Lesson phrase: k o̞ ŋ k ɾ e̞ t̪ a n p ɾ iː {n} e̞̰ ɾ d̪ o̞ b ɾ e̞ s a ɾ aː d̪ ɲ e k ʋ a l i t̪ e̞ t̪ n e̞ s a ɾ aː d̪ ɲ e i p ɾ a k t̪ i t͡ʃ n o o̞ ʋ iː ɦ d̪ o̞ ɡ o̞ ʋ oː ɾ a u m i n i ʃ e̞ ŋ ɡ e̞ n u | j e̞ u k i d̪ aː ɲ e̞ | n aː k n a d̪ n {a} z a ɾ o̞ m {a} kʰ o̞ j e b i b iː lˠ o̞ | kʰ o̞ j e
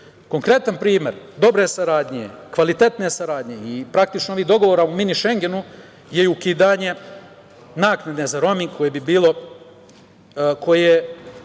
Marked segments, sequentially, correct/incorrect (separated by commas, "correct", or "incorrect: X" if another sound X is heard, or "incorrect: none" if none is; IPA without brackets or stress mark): incorrect: m, incorrect: e, incorrect: i